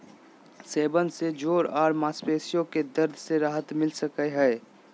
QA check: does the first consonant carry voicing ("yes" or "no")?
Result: no